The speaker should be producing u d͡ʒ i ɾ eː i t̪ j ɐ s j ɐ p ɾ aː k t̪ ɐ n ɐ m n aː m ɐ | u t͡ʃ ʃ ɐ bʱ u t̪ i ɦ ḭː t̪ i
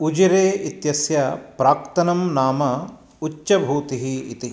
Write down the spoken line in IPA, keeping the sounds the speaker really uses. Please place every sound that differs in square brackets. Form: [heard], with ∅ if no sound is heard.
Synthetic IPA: u d͡ʒ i ɾ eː i t̪ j ɐ s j ɐ p ɾ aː k t̪ ɐ n ɐ m n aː m ɐ | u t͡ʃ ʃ ɐ bʱ [uː] t̪ i ɦ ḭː t̪ i

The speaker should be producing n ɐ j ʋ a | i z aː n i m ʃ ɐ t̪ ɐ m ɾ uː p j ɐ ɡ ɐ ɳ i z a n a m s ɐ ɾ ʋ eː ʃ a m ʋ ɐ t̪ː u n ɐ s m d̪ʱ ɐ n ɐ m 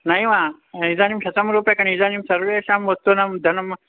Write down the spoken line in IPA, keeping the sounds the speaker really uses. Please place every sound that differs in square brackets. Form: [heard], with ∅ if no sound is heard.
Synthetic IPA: n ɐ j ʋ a | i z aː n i m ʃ ɐ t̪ ɐ m ɾ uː p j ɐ [k] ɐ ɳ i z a n [i] m s ɐ ɾ ʋ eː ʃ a m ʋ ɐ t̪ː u n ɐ [∅] m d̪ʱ ɐ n ɐ m

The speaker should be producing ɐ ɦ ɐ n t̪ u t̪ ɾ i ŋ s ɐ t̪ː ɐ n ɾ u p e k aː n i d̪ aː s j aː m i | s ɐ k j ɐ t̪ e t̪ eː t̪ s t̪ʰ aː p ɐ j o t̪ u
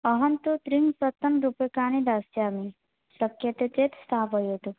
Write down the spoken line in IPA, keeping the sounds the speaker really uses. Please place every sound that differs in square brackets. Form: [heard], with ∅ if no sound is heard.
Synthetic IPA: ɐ ɦ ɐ n t̪ u t̪ ɾ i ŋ s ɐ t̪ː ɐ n ɾ u p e k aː n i d̪ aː s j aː m i | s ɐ k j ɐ t̪ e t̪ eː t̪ s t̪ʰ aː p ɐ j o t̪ u

